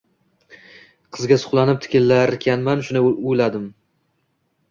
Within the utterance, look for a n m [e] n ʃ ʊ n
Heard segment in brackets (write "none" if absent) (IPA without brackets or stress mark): a